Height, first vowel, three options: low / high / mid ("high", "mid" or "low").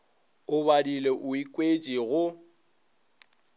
high